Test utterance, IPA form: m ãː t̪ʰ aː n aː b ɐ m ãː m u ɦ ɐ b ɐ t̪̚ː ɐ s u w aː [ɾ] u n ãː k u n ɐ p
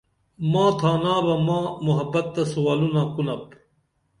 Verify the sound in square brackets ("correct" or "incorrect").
incorrect